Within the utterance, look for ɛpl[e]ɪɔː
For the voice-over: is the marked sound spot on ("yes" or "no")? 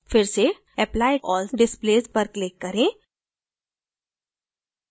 no